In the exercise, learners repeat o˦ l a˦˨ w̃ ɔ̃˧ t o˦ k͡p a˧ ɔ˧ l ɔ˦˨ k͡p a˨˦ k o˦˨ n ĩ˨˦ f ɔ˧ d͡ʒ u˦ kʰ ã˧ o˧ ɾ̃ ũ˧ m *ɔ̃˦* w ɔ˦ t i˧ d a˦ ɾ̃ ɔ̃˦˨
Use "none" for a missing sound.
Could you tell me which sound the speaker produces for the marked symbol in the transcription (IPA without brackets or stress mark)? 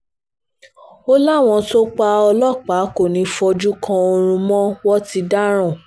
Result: ɔ̃˦